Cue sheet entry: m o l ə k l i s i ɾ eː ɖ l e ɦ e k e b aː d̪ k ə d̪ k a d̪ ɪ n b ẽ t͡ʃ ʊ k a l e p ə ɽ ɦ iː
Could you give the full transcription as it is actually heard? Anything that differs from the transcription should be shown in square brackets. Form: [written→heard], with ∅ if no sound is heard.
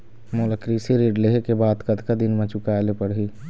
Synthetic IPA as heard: m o l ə k [l→ɾ] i s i ɾ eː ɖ l e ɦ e k e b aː d̪ k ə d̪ k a d̪ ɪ n [b→m] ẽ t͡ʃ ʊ k a l e p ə ɽ ɦ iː